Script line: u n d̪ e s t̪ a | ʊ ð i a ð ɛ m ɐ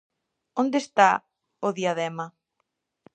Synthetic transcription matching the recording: o n d̪ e s t̪ a | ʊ ð i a ð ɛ m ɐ